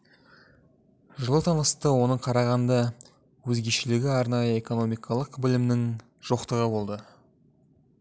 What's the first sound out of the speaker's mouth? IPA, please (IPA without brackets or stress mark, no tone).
ʒ